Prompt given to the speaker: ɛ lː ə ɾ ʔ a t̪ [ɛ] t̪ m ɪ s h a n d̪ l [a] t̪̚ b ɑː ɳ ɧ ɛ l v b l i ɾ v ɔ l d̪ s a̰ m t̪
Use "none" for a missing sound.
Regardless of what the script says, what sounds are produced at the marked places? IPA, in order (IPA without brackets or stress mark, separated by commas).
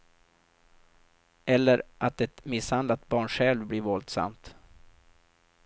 ɛ, a